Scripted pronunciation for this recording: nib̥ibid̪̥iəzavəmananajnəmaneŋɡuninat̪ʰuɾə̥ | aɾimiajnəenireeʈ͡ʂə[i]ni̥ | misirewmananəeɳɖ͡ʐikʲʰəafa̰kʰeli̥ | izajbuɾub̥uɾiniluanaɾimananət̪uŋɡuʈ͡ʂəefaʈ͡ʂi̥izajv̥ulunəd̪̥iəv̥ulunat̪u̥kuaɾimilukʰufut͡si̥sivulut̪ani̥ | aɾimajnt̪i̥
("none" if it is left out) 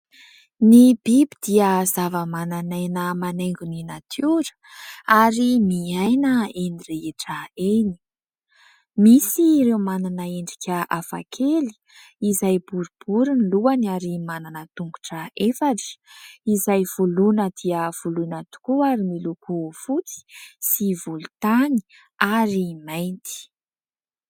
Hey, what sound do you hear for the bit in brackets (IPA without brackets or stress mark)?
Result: e